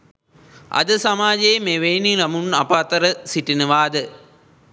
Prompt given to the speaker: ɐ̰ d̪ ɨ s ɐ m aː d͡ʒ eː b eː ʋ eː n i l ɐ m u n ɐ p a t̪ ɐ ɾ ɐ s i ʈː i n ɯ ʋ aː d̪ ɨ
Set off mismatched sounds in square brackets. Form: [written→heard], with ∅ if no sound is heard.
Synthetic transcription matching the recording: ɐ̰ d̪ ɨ s ɐ m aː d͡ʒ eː [b→m] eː ʋ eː n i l ɐ m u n ɐ p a t̪ ɐ ɾ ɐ s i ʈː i n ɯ ʋ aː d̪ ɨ